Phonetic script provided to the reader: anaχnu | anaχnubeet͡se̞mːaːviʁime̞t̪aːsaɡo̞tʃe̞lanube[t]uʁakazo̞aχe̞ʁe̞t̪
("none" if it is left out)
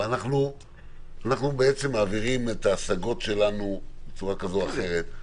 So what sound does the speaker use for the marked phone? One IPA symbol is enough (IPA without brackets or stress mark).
t͡s